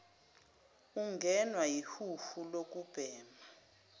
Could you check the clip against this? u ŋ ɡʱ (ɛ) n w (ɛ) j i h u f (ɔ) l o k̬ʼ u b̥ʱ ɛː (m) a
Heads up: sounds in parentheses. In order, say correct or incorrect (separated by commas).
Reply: correct, incorrect, incorrect, correct